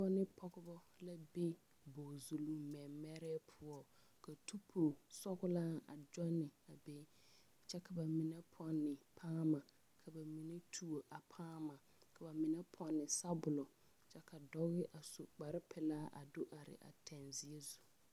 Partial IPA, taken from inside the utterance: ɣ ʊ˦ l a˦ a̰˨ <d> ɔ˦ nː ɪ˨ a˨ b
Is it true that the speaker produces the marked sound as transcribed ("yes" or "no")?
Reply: no